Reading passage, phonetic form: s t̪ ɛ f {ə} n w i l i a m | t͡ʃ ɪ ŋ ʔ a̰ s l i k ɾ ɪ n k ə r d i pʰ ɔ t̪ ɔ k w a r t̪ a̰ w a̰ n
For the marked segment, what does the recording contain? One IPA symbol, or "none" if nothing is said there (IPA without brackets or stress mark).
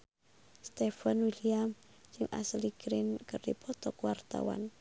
a